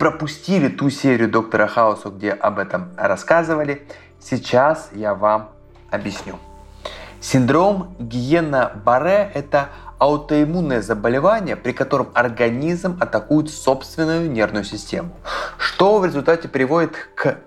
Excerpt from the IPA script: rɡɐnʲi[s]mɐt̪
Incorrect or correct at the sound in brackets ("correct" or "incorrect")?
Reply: incorrect